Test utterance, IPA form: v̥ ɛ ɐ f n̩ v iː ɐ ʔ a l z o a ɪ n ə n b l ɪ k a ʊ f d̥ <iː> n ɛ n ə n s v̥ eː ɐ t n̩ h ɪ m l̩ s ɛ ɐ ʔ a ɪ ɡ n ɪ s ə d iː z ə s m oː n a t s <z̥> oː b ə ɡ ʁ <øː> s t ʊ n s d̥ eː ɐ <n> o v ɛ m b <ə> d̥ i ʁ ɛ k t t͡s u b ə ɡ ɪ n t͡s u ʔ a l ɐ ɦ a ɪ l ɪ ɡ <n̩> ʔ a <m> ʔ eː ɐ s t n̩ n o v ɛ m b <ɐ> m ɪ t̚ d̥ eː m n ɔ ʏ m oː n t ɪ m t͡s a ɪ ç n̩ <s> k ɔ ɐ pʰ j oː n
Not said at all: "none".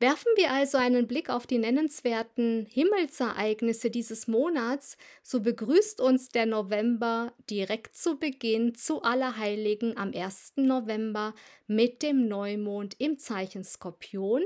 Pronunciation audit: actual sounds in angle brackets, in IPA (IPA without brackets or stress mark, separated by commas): iː, z̥, yː, n, ɐ, ŋ̩, m, ɐ, s